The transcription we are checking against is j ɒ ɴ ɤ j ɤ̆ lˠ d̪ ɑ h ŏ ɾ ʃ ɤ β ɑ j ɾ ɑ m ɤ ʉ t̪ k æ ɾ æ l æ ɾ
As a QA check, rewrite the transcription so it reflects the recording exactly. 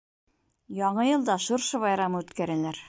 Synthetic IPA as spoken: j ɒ ɴ ɤ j ɤ̆ lˠ d̪ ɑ ʃ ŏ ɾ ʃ ɤ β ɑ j ɾ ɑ m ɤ ʉ t̪ k æ ɾ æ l æ ɾ